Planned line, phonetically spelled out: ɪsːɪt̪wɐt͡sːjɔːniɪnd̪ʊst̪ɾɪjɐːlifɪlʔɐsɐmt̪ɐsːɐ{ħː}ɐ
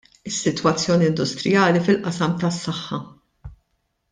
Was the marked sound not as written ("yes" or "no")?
no